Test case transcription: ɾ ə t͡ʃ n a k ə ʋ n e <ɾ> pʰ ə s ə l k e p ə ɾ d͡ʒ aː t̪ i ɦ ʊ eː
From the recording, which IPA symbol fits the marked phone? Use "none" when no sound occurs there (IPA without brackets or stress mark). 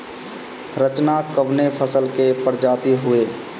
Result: none